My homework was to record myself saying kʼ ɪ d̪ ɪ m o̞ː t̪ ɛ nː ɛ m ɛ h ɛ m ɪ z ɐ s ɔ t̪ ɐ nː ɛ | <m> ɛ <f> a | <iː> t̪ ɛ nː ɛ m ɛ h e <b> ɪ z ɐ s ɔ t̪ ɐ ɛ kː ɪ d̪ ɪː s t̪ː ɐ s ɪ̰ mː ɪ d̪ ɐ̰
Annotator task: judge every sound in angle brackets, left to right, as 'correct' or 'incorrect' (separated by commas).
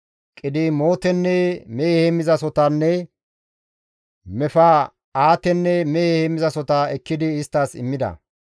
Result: correct, correct, incorrect, incorrect